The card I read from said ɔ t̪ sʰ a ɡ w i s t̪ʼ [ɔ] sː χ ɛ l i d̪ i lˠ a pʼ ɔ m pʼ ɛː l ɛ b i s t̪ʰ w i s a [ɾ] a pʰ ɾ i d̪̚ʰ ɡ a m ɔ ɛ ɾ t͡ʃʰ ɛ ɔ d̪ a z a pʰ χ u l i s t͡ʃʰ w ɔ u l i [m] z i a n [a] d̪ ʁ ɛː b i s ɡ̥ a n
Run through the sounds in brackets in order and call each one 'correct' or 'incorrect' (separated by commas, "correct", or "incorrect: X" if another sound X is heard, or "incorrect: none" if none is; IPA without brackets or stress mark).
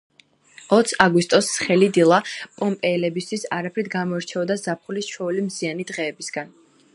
correct, correct, correct, incorrect: i